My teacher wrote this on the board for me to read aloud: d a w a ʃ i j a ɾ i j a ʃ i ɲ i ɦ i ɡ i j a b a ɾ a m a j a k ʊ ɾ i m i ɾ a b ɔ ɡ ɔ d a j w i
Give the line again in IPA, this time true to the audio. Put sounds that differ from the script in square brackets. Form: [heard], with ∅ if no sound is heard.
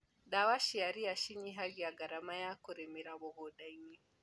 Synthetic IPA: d a w a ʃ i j a ɾ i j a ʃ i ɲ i ɦ [a] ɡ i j a [ɡ] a ɾ a m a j a k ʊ ɾ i m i ɾ a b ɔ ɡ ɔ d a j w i

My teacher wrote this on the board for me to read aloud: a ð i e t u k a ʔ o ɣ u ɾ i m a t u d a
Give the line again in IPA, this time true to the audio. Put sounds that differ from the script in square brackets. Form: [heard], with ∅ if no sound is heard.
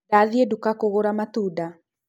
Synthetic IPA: a ð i e [d] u k a [k] o ɣ [o] ɾ [a] m a t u d a

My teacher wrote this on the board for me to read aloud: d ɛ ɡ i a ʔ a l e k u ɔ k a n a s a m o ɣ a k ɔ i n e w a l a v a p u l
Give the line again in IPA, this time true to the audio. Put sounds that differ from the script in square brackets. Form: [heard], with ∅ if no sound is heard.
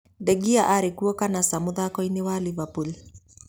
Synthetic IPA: d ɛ ɡ i a ʔ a [ɾ] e k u ɔ k a n a s a m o [ð] a k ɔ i n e w a l [i] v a p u l

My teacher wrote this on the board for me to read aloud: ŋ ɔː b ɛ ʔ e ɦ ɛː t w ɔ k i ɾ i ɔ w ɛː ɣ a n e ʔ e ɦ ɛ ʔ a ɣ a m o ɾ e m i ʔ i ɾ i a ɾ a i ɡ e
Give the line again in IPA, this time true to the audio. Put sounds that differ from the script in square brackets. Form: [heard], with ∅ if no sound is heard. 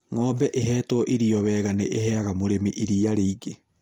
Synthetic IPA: ŋ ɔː b ɛ ʔ e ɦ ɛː t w ɔ [ʔ] i ɾ i ɔ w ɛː ɣ a n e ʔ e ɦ ɛ [∅] a ɣ a m o ɾ e m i ʔ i ɾ i a ɾ [e] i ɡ e

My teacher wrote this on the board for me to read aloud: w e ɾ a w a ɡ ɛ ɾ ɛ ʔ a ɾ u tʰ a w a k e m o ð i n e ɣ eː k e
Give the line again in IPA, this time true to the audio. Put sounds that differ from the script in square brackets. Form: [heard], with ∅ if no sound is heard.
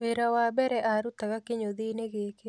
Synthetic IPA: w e ɾ a w a [b] ɛ ɾ ɛ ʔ a ɾ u [t] a [ɣ] a k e [ɲ] o ð i n e ɣ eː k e

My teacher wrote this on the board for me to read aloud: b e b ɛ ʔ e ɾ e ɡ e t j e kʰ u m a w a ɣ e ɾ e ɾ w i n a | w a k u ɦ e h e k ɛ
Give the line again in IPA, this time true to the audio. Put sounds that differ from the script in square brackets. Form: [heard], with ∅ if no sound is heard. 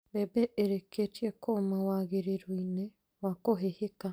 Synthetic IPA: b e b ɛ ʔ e ɾ e [k] e t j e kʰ [o] m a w a ɣ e ɾ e ɾ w i n [e] | w a k [o] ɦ e h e k [a]

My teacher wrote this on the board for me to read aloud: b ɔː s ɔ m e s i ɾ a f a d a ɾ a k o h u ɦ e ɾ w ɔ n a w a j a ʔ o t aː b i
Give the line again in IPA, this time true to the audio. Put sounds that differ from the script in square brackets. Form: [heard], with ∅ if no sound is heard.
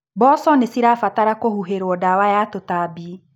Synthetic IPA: b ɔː s ɔ [n] e s i ɾ a f a [t] a ɾ a k o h u ɦ e ɾ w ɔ [d] a w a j a [t] o t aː b i

